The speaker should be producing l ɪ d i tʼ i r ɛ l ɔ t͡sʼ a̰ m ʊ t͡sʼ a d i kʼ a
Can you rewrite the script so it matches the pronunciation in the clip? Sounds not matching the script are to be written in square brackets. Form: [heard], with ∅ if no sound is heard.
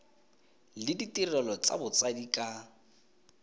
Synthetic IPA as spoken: l ɪ d i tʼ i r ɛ l ɔ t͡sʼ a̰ [b] ʊ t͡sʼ a d i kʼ a